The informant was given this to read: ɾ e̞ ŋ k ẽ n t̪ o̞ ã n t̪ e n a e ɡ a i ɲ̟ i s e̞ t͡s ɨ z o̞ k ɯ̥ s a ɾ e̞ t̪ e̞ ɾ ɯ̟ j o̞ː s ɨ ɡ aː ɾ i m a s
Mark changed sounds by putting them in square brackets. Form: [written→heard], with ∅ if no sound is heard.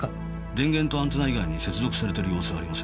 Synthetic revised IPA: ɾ [e̞→ẽ̞] ŋ [k→ɡ] ẽ n t̪ o̞ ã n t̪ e n a [e→i] ɡ a i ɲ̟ i s e̞ t͡s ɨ z o̞ k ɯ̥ s a ɾ e̞ t̪ e̞ ɾ ɯ̟ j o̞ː s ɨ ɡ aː ɾ i m a s

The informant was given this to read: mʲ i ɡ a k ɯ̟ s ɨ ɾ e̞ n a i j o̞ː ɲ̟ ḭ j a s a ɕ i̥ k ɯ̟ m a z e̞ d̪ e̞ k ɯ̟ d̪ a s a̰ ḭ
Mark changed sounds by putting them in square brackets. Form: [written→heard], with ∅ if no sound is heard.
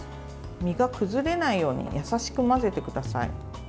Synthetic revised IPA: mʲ i ɡ a k ɯ̟ [s→z] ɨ ɾ e̞ n a i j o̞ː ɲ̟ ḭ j a s a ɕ i̥ k ɯ̟ m a z e̞ [d̪→t̪] e̞ k ɯ̟ d̪ a s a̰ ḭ

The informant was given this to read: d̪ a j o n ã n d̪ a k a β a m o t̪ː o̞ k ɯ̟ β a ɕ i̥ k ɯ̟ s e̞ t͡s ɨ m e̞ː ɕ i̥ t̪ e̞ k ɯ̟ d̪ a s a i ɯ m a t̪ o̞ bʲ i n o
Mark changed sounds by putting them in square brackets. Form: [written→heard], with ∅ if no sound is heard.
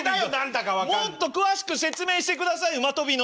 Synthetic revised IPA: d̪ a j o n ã n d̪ a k a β a m o t̪ː o̞ k ɯ̟ β a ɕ i̥ k ɯ̟ s e̞ t͡s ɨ m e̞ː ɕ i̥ t̪ e̞ k ɯ̟ d̪ a s a i ɯ m a t̪ o̞ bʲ i n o

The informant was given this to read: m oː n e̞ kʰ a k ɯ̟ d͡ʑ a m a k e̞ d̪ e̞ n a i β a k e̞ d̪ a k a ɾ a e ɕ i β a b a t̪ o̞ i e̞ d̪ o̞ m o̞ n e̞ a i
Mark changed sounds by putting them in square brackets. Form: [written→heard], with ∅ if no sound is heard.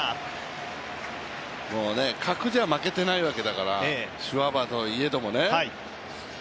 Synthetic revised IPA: m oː n e̞ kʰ a k ɯ̟ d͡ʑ a m a k e̞ [d̪→t̪] e̞ n a i β a k e̞ d̪ a k a ɾ a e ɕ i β a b a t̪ o̞ i e̞ d̪ o̞ m o̞ n e̞ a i

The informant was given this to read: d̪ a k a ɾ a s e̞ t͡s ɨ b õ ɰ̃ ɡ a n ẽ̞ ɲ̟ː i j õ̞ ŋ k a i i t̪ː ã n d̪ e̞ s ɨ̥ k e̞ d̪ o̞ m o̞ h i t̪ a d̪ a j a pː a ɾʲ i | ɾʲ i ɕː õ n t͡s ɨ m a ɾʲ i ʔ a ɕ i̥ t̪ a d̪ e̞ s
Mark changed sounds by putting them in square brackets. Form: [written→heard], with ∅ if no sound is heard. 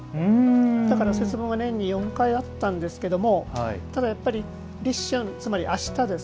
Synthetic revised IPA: d̪ a k a ɾ a s e̞ t͡s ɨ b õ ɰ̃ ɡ a n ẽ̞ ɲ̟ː i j õ̞ ŋ k a i [i→a] t̪ː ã n d̪ e̞ s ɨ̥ k e̞ d̪ o̞ m o̞ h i t̪ a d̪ a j a pː a ɾʲ i | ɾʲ i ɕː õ n t͡s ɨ m a ɾʲ i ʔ a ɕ i̥ t̪ a d̪ e̞ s

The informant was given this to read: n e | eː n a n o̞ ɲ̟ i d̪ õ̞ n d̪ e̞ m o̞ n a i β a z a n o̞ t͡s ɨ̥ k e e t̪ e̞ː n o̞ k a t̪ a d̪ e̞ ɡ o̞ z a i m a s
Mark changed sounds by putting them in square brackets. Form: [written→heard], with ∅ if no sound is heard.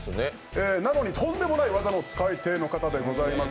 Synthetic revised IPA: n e | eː n a n o̞ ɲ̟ i [d̪→t̪] õ̞ n d̪ e̞ m o̞ n a i β a z a n o̞ t͡s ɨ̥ k [e→a] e t̪ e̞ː n o̞ k a t̪ a d̪ e̞ ɡ o̞ z a i m a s

